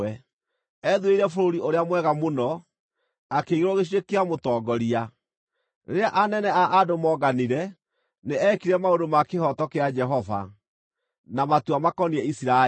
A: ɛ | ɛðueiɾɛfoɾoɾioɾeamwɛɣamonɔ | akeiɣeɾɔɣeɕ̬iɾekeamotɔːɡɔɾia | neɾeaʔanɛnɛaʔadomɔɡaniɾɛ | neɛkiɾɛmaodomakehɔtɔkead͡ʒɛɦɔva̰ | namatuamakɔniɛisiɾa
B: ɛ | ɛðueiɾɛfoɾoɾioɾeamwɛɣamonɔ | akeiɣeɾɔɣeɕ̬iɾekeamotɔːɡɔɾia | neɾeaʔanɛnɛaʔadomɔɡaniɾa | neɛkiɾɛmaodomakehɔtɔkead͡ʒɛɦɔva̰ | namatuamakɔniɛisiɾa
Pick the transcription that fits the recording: A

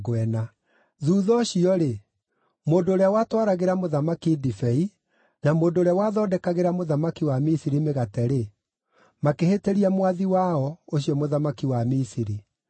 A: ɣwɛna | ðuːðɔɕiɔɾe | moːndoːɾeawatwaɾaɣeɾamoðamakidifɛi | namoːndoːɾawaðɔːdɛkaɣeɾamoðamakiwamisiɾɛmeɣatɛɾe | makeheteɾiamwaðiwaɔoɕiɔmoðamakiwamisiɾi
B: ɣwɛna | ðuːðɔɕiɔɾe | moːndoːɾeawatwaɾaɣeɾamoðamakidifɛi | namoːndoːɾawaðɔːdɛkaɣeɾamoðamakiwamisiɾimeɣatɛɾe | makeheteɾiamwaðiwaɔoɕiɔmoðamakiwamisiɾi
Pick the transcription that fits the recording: B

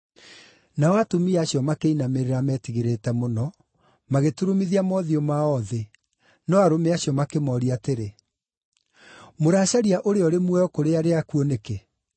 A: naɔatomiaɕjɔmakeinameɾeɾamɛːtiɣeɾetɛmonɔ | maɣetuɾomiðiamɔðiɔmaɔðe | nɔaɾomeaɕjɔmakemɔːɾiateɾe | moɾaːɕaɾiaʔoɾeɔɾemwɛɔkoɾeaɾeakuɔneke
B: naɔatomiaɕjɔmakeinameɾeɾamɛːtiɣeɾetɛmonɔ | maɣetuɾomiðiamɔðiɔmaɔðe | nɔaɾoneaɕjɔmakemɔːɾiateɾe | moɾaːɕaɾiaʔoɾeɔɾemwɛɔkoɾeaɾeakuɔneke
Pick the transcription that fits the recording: A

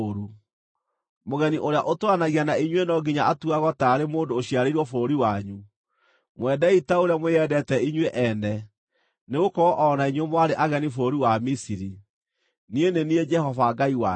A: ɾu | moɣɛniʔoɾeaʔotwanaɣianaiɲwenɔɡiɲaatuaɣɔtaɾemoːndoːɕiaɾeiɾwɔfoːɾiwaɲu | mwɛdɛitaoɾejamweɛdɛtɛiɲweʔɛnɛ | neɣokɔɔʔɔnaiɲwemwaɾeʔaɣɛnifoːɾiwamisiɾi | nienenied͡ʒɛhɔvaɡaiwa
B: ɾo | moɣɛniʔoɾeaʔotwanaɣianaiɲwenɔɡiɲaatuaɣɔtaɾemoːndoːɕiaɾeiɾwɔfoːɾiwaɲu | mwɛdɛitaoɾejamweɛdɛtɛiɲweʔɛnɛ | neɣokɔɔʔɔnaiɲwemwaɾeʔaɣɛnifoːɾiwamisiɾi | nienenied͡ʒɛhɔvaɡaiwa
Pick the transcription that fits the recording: A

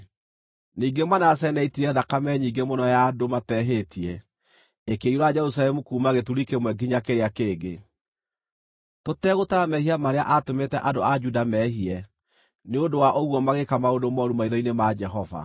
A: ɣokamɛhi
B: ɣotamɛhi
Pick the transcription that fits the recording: B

